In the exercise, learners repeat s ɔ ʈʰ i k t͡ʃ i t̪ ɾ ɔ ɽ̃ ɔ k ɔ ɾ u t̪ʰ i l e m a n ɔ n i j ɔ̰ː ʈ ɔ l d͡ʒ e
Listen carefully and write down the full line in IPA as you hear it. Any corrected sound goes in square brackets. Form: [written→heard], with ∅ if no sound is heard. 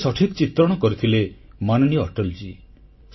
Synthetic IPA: s ɔ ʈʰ i k t͡ʃ i t̪ ɾ ɔ ɽ̃ ɔ k ɔ ɾ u t̪ʰ i l e m a n ɔ n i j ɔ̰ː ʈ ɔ l d͡ʒ [e→i]